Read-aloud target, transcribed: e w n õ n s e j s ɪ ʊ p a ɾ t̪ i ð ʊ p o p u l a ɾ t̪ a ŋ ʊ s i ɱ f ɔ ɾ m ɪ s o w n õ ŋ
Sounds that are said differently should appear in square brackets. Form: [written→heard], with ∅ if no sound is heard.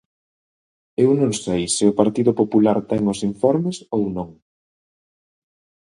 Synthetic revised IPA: e w n õ [n→ŋ] s e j s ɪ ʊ p a ɾ t̪ i ð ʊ p o p u l a ɾ t̪ [a→ɛ] ŋ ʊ s i ɱ f ɔ ɾ m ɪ s o w n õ ŋ